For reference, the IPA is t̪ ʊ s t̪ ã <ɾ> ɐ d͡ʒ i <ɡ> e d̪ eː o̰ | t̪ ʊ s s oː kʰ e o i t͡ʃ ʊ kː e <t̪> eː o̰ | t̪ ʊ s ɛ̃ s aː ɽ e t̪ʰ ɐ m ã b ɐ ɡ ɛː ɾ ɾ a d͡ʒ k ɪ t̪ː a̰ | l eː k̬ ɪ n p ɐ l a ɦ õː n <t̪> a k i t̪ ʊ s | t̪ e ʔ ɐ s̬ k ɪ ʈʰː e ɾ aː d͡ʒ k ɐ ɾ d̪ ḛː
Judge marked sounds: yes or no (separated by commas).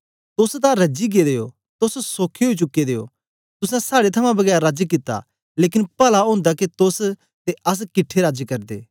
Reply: yes, yes, no, no